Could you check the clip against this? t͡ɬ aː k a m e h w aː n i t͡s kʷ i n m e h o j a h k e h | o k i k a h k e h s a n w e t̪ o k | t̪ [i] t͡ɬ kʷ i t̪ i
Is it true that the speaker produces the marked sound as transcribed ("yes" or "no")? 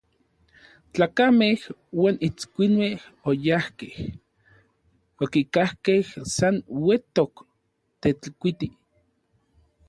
no